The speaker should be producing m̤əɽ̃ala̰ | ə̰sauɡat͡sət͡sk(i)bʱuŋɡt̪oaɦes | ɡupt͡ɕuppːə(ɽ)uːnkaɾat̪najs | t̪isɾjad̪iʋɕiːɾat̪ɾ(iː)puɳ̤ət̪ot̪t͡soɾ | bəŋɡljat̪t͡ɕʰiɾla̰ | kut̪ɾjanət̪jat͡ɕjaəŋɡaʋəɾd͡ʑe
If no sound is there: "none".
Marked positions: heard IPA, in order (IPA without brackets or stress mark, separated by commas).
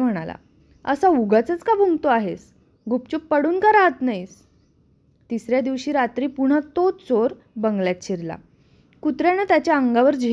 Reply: a, ɽ, iː